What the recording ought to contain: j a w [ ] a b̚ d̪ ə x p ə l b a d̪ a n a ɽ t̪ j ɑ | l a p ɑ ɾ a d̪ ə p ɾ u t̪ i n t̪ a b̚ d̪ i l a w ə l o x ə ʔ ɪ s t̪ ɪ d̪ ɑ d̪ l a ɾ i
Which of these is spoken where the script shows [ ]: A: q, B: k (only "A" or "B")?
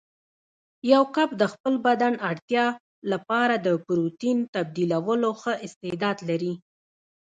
B